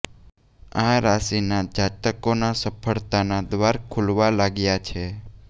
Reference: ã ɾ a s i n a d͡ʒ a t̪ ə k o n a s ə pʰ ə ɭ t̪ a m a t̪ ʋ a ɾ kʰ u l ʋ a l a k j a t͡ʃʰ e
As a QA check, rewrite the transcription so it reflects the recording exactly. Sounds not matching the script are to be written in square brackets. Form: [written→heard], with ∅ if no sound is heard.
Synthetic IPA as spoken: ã ɾ a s i n a d͡ʒ a t̪ ə k o n a s ə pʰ ə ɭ t̪ a [m→n] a [t̪→d̪] ʋ a ɾ kʰ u l ʋ a l a [k→ɡ] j a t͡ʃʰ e

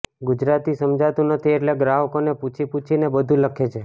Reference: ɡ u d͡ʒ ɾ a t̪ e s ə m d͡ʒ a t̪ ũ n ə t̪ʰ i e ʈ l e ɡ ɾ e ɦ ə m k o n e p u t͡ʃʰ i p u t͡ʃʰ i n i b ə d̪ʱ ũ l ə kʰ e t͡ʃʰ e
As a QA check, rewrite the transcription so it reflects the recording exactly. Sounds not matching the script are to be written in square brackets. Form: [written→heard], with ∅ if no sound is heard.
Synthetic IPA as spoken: ɡ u d͡ʒ ɾ a t̪ [e→i] s ə m d͡ʒ a t̪ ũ n ə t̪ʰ i e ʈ l e ɡ ɾ [e→a] ɦ ə [m→∅] k o n e p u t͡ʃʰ i p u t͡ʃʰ i n [i→e] b ə d̪ʱ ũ l ə kʰ e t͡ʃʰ e

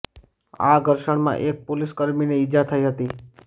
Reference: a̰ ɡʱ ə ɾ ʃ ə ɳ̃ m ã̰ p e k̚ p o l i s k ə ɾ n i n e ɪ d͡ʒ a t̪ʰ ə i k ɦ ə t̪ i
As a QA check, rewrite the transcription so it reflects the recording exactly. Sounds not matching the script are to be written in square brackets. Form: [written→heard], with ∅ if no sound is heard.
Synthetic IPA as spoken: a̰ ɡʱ ə ɾ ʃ ə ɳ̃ m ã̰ [p→ʔ] e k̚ p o l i s k ə ɾ [n→m] i n e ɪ d͡ʒ a t̪ʰ ə i [k→∅] ɦ ə t̪ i

